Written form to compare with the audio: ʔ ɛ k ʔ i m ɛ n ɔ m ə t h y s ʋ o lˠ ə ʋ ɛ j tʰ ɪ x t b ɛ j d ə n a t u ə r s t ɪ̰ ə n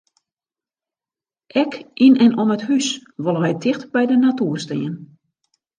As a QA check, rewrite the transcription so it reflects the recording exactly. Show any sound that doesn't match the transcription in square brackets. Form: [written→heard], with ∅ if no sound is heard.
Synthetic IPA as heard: ʔ ɛ k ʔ i [m→n] ɛ n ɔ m ə t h y s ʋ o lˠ ə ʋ ɛ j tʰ ɪ x t b ɛ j d ə n a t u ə r s t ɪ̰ ə n